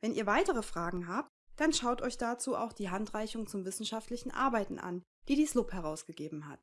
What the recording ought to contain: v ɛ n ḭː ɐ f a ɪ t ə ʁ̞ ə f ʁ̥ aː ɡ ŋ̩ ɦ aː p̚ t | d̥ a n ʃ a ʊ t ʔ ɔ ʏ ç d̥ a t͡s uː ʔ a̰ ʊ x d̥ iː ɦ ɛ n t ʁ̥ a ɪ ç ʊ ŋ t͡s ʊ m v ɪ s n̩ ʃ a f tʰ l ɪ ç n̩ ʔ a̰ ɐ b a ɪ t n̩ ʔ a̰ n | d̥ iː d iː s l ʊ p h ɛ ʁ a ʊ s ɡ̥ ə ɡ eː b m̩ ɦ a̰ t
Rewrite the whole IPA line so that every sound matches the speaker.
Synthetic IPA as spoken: v ɛ n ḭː ɐ v a ɪ t ə ʁ̞ ə f ʁ̥ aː ɡ ŋ̩ ɦ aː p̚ t | d̥ a n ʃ a ʊ t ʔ ɔ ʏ ç d̥ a t͡s uː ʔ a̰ ʊ x d̥ iː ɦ a n t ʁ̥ a ɪ ç ʊ ŋ t͡s ʊ m v ɪ s n̩ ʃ a f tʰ l ɪ ç n̩ ʔ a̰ ɐ b a ɪ t n̩ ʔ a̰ n | d̥ iː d iː s l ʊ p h ɛ ʁ a ʊ s ɡ̥ ə ɡ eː b m̩ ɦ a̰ t